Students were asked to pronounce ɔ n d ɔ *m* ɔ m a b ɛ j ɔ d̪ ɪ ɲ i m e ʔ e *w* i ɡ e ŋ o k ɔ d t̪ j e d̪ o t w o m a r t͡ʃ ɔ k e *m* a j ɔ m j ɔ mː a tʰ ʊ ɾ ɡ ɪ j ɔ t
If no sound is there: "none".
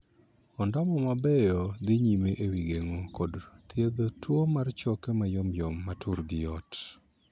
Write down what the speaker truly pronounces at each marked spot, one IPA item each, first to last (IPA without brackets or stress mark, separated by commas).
m, w, m